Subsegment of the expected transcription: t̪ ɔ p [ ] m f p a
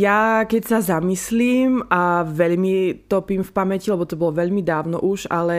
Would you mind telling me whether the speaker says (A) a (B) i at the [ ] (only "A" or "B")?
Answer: B